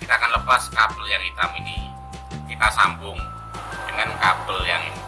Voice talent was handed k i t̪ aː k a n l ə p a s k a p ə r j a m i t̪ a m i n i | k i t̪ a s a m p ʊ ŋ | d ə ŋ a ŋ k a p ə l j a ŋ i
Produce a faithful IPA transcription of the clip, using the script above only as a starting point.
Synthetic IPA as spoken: k i t̪ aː k a n l ə p a s k a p ə l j a ŋ i t̪ a m i n i | k i t̪ a s a m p ʊ ŋ | d ə ŋ a n k a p ə l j a ŋ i